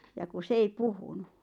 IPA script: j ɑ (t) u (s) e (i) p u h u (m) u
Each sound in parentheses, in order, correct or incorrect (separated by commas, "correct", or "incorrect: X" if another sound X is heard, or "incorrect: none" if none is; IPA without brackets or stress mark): incorrect: k, correct, correct, incorrect: n